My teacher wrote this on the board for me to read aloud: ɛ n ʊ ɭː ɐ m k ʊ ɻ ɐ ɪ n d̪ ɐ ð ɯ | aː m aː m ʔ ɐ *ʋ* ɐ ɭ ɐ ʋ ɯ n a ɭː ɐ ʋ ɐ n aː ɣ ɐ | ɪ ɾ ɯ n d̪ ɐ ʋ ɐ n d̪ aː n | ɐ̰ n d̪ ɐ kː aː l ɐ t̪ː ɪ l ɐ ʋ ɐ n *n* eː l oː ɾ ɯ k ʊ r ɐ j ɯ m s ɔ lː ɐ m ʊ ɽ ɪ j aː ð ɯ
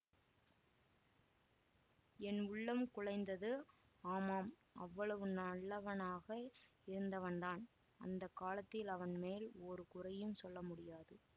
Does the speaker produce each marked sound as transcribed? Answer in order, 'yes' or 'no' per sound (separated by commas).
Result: no, no